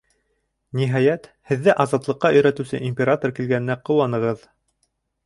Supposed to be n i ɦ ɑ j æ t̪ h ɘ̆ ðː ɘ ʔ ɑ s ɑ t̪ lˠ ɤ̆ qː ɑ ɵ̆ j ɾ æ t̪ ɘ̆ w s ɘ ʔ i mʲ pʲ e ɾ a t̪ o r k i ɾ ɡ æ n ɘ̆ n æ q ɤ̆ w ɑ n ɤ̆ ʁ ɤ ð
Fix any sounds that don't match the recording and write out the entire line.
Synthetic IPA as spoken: n i ɦ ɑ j æ t̪ h ɘ̆ ðː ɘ ʔ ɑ z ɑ t̪ lˠ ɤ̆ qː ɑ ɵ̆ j ɾ æ t̪ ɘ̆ w s ɘ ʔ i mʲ pʲ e ɾ a t̪ o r k i l ɡ æ n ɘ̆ n æ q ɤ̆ w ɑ n ɤ̆ ʁ ɤ ð

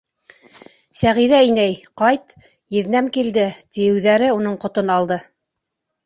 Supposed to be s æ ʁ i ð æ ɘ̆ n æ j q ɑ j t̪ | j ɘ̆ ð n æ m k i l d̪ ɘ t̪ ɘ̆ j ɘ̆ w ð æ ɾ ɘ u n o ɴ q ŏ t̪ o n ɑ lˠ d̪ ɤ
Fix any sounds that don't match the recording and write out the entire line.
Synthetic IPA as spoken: s æ ʁ i ð æ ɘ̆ n æ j q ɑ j t̪ | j ɘ̆ ð n æ m k i l d̪ ɘ t̪ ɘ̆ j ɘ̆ w ð æ ɾ ɘ u n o ɴ q ŏ t̪ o n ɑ lˠ d̪ ɤ

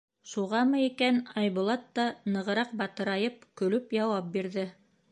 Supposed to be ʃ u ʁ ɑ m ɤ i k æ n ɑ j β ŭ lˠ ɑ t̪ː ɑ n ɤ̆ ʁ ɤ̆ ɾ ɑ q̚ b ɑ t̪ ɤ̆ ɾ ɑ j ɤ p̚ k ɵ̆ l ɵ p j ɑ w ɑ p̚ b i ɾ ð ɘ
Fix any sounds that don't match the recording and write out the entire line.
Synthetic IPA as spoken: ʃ u ʁ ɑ m ɤ i k æ n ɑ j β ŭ lˠ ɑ t̪ː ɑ n ɤ̆ ʁ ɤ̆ ɾ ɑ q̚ b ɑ t̪ ɤ̆ ɾ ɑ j ɤ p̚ k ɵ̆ l ɵ p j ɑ w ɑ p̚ b i ɾ ð ɘ

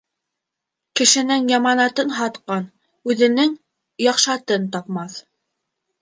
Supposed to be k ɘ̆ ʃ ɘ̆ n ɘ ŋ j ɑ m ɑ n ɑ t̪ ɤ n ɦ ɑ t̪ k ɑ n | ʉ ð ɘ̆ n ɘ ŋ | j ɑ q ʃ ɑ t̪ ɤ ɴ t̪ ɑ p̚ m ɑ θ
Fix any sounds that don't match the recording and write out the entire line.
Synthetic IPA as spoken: k ɘ̆ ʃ ɘ̆ n ɘ ŋ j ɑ m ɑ n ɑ t̪ ɤ n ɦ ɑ t̪ q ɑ n | ʉ ð ɘ̆ n ɘ ŋ | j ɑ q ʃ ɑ t̪ ɤ n t̪ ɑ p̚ m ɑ θ

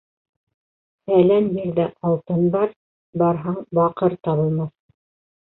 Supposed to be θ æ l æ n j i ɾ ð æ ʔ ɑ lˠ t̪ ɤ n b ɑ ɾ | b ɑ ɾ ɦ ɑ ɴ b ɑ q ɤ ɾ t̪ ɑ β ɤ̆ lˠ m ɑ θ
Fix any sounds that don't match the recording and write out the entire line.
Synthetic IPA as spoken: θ æ l æ n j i ɾ ð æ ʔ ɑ lˠ t̪ ɤ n b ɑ ɾ | b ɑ ɾ ɦ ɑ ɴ b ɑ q ɤ ɾ t̪ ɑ β ɤ̆ lˠ m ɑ θ

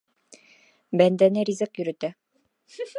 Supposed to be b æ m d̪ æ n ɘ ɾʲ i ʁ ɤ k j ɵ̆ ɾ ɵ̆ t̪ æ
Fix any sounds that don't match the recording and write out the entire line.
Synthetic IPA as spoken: b æ n d̪ æ n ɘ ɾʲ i z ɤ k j ɵ̆ ɾ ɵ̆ t̪ æ

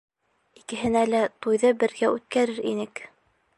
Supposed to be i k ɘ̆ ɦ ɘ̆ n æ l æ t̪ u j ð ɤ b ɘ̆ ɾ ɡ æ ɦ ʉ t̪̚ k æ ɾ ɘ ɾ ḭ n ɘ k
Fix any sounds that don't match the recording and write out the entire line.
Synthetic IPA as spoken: i k ɘ̆ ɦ ɘ̆ n æ l æ t̪ u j ð ɤ b ɘ̆ ɾ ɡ æ ʉ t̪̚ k æ ɾ ɘ ɾ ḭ n ɘ k

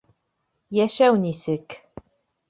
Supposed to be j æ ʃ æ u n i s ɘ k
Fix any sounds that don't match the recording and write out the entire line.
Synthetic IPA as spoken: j æ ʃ æ w n i s ɘ k

